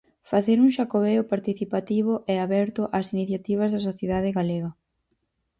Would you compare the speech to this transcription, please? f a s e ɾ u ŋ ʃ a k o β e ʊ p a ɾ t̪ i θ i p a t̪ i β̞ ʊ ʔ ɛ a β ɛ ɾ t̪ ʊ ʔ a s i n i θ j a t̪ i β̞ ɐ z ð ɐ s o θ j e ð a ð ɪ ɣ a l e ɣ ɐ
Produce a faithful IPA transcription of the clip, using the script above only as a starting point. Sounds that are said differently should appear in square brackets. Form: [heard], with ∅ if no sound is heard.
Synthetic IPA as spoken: f a [θ] e ɾ u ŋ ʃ a k o β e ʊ p a ɾ t̪ i θ i p a t̪ i β̞ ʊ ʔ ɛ a β ɛ ɾ t̪ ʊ ʔ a s i n i θ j a t̪ i β̞ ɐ z ð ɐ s o θ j e ð a ð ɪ ɣ a l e ɣ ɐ